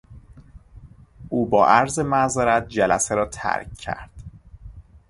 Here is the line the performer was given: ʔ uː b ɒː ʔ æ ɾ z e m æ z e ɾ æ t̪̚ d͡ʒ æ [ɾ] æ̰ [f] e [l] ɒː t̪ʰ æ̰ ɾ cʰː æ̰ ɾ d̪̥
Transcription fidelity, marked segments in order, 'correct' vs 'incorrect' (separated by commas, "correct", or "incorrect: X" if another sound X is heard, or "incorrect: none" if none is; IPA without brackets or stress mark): incorrect: l, incorrect: s, incorrect: ɾ